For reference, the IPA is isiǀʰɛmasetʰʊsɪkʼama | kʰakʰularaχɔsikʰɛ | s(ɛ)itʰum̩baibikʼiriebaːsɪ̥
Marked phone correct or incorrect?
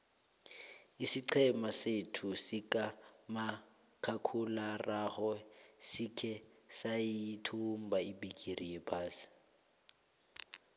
incorrect